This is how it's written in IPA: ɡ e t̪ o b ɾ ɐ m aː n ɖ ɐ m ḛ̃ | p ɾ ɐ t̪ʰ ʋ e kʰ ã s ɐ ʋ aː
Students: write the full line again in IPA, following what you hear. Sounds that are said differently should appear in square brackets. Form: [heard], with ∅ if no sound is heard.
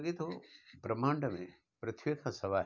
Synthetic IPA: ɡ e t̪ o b ɾ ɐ m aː [ɳ] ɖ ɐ m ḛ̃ | p ɾ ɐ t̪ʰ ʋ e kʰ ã s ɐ ʋ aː